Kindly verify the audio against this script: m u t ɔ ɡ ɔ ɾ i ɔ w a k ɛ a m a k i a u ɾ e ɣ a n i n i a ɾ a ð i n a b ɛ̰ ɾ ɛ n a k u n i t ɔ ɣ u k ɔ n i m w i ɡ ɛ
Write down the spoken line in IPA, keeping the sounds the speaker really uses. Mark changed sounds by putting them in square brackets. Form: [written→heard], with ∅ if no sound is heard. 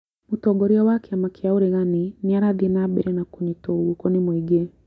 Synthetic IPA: m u t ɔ ɡ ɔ ɾ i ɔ w a k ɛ a m a k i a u ɾ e ɣ a n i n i a ɾ a ð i n a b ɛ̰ ɾ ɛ n a k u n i t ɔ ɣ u k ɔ n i m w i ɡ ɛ